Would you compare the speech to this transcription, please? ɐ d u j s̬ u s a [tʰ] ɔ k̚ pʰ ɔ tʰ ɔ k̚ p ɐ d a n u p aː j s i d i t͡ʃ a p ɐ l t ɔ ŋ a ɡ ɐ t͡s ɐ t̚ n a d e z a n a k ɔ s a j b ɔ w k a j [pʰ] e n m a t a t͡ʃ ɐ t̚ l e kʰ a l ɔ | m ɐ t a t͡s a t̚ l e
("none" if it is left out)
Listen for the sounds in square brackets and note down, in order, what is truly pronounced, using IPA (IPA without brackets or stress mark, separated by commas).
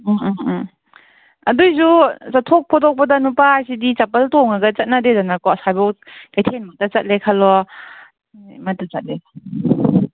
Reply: tʰ, tʰ